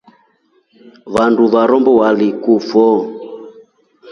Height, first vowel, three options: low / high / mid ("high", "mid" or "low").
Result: low